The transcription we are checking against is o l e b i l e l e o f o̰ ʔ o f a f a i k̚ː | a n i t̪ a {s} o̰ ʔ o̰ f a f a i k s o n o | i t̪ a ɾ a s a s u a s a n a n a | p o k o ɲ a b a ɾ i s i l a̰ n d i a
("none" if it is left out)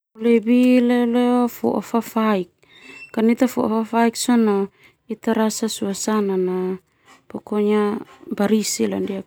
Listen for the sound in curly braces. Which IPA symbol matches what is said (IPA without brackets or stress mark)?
f